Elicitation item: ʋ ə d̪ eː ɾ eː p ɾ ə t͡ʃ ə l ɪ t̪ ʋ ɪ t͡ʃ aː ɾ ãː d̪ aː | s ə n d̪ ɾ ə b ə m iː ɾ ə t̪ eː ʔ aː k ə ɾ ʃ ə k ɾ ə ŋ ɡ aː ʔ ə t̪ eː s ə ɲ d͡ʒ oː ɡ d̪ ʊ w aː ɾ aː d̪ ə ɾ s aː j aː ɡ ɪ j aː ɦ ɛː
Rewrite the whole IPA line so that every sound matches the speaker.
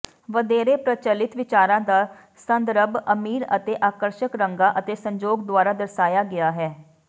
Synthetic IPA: ʋ ə d̪ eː ɾ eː p ɾ ə t͡ʃ ə l ɪ t̪ ʋ ɪ t͡ʃ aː ɾ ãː d̪ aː | s ə n d̪ ɾ ə b ə m iː ɾ ə t̪ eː ʔ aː k ə ɾ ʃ ə k ɾ ə ŋ ɡ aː ʔ ə t̪ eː s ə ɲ d͡ʒ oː ɡ d̪ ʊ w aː ɾ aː d̪ ə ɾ s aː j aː ɡ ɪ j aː ɦ ɛː